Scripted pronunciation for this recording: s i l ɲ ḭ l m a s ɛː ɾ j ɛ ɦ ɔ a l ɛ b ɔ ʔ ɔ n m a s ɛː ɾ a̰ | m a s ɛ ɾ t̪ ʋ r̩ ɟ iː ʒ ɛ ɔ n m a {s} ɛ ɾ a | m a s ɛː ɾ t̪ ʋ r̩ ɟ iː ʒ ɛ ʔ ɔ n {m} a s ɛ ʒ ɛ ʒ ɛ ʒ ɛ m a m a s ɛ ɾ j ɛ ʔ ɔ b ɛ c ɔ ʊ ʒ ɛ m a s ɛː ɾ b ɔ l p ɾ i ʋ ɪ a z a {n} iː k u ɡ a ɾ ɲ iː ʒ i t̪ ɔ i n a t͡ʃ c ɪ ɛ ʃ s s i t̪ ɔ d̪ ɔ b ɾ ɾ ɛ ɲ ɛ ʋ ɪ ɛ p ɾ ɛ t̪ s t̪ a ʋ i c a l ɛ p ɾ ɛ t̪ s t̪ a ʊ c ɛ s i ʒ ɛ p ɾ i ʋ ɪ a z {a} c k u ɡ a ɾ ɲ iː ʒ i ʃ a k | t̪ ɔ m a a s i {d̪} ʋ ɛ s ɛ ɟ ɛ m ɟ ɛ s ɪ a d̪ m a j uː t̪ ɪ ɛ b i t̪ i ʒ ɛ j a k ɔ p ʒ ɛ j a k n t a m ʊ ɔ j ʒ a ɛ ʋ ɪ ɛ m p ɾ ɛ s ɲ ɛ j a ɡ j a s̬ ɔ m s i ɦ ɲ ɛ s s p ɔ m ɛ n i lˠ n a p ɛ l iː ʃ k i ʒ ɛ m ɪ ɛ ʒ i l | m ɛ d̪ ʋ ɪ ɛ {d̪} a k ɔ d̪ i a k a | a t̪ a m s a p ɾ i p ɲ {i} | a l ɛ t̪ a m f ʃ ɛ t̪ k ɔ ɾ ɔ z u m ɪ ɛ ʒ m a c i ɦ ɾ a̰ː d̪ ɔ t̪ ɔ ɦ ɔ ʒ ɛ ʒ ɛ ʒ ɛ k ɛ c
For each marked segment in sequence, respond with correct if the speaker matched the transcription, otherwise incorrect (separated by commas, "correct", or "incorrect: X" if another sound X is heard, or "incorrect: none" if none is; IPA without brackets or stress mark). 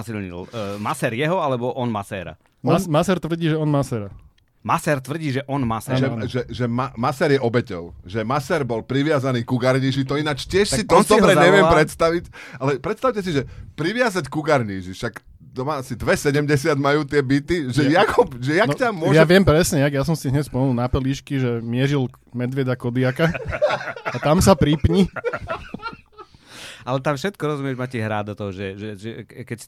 correct, correct, correct, correct, correct, correct, correct